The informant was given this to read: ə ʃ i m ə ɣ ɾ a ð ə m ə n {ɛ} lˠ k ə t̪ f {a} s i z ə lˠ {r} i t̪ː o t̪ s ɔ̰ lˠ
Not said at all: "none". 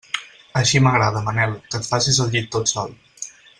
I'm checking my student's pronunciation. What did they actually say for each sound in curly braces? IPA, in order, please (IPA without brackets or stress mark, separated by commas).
ɛ, a, ʎ